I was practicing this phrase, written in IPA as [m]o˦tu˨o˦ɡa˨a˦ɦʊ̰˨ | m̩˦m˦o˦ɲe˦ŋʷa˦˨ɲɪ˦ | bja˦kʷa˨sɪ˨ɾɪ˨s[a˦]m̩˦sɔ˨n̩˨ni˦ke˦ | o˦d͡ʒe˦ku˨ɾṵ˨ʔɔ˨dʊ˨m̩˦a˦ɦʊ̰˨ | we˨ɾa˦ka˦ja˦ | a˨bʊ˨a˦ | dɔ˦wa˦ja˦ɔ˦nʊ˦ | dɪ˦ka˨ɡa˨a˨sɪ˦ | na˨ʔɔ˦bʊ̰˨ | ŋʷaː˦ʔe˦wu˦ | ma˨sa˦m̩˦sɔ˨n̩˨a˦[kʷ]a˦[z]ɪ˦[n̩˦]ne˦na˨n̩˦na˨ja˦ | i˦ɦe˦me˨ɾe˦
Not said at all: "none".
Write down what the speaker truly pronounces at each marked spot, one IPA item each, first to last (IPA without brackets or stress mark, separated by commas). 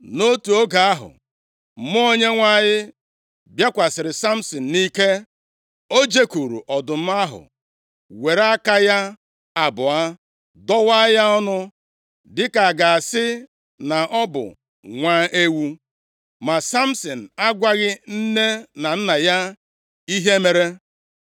n, a˦, ɡʷ, ɣ, n̩˦